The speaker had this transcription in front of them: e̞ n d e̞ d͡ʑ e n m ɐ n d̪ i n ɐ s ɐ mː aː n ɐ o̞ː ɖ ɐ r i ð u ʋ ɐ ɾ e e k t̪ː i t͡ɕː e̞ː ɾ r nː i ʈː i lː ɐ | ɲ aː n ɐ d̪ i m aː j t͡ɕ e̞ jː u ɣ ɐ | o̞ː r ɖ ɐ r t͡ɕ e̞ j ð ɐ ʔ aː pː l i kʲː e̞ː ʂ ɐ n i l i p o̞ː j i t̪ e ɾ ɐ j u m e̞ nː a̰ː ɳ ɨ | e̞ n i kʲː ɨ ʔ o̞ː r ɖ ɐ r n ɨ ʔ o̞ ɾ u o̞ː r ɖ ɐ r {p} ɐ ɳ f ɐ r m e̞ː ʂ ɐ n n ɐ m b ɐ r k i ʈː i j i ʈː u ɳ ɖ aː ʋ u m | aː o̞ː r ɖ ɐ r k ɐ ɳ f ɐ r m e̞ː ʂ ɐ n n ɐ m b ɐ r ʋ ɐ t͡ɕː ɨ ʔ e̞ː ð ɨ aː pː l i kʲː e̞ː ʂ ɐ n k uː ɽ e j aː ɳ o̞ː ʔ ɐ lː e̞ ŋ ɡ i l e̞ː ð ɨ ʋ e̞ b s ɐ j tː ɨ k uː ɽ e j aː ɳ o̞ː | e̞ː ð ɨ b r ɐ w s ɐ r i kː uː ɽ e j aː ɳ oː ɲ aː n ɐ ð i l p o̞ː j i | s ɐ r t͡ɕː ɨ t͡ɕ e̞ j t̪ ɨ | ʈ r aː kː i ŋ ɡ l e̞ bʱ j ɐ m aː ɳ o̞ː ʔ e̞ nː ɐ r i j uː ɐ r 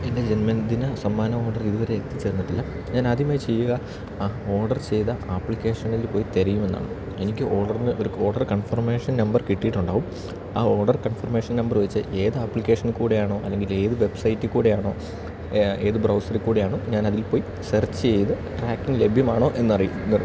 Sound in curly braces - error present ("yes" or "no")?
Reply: yes